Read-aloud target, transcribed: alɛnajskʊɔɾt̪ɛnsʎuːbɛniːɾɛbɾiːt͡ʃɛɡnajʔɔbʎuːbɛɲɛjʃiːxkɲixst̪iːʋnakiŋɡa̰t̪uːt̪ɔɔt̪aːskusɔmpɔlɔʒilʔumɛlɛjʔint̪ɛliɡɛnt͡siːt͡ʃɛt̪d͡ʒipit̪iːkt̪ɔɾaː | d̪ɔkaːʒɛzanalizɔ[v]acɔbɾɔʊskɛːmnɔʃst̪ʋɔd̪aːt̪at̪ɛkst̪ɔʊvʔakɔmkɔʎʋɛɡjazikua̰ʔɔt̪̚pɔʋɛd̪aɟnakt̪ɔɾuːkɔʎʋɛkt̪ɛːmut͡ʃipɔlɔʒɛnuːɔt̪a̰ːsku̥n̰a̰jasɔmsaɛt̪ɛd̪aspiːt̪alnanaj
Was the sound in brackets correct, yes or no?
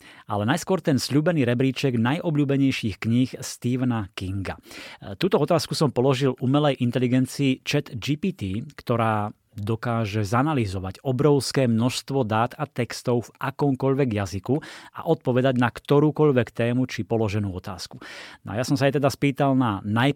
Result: no